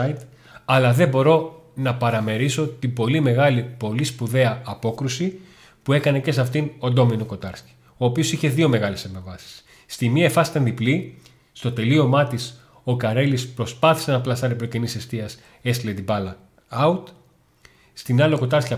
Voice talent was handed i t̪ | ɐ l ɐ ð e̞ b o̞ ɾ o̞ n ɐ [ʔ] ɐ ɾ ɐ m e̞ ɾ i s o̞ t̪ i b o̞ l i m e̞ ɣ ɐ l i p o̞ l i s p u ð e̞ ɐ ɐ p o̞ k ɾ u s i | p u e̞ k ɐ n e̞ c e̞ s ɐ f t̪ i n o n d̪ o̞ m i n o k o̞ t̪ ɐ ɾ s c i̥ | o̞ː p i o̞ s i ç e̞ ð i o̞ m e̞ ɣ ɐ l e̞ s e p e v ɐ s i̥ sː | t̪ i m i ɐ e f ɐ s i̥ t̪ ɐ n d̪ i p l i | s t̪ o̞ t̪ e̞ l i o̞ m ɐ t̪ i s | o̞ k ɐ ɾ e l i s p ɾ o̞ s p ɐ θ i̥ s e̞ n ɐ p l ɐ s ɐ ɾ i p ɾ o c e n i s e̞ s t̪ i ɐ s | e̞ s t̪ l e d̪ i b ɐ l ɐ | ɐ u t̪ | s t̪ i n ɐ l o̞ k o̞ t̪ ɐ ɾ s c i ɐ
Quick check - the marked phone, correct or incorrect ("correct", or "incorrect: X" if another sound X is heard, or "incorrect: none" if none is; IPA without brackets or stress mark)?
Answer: incorrect: p